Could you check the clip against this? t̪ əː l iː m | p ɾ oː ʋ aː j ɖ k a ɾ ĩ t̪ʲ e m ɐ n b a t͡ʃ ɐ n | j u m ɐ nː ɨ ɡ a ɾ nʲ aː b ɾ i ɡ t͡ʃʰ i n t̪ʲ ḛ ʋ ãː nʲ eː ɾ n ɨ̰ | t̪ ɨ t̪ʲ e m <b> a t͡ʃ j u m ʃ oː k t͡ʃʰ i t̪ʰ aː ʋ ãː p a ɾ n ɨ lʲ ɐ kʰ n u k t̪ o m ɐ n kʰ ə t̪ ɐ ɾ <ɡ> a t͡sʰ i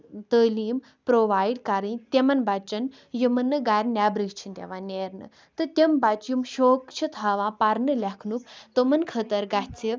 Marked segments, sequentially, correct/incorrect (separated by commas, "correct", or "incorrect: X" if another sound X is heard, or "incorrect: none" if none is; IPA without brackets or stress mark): correct, correct